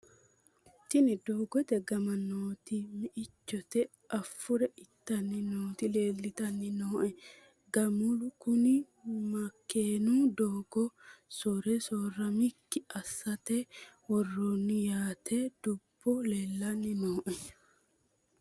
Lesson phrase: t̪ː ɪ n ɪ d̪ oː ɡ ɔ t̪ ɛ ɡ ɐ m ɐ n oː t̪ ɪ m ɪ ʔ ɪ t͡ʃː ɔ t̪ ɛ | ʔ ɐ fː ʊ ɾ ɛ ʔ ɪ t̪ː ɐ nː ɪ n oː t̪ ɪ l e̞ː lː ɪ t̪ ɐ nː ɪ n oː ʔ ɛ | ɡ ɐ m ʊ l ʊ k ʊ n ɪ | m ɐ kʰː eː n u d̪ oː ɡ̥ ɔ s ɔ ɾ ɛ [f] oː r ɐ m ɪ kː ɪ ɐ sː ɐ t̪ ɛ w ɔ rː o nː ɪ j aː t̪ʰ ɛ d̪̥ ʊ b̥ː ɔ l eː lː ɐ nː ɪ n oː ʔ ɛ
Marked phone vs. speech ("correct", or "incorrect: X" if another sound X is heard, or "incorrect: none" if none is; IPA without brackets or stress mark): incorrect: s